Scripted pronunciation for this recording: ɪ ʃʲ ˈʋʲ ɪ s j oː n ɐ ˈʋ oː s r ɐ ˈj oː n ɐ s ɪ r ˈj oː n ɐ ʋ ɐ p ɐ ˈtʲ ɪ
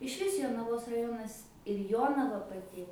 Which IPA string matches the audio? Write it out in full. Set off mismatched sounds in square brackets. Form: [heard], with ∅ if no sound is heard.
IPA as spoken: ɪ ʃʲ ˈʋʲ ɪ s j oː n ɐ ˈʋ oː s r ɐ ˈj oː n ɐ s ɪ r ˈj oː n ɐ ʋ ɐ p ɐ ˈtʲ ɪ